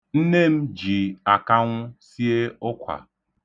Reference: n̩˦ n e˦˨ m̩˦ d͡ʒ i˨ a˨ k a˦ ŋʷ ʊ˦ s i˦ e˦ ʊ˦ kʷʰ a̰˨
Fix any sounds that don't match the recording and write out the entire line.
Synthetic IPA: n̩˦ n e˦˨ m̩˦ d͡ʒ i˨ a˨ k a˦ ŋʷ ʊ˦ s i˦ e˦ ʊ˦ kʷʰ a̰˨